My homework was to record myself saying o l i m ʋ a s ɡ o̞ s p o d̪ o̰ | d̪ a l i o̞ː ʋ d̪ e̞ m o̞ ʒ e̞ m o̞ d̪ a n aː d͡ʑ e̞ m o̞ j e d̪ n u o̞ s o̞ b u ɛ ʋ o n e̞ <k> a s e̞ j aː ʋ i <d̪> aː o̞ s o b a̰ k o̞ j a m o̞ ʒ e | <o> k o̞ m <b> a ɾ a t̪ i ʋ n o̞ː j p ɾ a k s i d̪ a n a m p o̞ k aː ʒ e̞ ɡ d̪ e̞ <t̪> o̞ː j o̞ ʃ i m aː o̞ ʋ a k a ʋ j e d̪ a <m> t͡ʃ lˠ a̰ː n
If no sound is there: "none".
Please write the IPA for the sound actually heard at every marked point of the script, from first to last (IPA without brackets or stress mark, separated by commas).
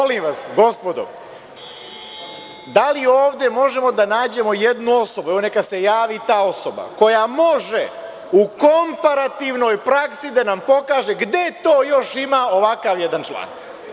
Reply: k, t̪, u, p, t̪, n